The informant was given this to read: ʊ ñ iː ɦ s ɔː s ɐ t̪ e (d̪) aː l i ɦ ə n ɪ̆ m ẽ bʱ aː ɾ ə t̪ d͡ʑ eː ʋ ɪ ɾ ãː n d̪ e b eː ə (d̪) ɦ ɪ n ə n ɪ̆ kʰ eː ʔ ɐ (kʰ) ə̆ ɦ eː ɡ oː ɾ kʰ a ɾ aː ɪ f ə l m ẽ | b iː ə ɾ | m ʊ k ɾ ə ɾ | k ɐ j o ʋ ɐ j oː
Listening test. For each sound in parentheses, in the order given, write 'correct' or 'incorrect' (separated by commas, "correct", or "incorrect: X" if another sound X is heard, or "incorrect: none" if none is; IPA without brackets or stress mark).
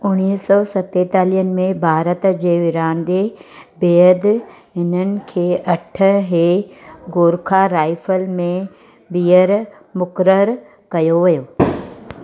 incorrect: t̪, correct, incorrect: ʈʰ